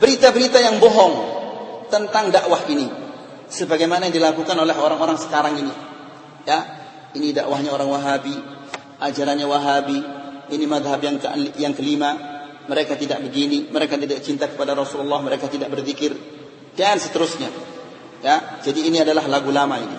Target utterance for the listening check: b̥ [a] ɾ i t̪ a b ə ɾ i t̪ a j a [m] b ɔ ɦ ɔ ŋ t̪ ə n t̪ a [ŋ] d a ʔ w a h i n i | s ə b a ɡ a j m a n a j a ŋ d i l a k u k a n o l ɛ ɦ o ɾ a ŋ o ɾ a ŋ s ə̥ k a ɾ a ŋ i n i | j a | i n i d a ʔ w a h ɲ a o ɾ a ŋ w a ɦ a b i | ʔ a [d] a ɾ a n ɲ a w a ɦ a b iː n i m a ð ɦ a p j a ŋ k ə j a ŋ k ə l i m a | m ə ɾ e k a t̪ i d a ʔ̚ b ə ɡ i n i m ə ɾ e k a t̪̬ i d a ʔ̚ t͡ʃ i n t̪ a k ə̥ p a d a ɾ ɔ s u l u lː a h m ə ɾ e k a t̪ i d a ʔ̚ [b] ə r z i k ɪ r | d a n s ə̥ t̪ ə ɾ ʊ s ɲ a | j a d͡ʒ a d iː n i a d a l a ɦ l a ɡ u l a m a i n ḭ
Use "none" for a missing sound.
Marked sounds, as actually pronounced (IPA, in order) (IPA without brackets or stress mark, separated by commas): ə, ŋ, ŋ, d͡ʒ, b